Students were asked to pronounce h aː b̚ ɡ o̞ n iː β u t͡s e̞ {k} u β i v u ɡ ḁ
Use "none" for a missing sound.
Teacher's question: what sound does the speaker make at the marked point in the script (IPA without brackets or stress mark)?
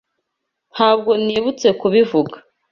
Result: k